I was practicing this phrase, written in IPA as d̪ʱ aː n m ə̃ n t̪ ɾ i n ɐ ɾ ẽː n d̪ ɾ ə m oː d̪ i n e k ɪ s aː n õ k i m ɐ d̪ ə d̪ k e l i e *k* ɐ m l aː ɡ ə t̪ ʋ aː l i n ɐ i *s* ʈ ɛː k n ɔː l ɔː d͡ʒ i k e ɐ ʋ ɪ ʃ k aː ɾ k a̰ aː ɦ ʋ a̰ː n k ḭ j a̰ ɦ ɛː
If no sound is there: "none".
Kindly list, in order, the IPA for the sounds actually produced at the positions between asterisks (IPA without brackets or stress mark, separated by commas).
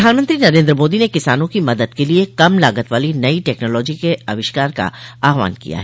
k, none